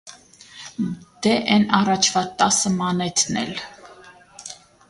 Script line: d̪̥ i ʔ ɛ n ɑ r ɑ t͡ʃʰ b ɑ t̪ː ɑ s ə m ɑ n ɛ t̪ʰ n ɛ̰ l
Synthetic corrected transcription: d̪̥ ɛ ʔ ɛ n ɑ r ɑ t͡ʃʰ v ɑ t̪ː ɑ s ə m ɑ n ɛ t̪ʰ n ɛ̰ l